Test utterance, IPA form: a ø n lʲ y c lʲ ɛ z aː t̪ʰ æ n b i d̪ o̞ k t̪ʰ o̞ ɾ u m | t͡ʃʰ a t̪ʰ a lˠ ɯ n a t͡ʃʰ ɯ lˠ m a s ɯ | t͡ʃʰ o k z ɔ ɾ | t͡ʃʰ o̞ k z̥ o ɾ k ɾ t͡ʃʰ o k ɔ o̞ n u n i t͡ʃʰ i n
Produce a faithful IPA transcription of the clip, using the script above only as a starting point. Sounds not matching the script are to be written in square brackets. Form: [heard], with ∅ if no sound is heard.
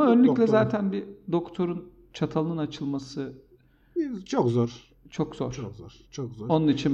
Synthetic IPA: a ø n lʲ y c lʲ ɛ z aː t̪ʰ æ n b i d̪ o̞ k t̪ʰ o̞ ɾ u [n] | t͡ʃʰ a t̪ʰ a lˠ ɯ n a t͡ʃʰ ɯ lˠ m a s ɯ | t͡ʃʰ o k z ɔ ɾ | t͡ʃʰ o̞ k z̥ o ɾ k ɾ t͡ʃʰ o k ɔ o̞ n u n i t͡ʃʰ i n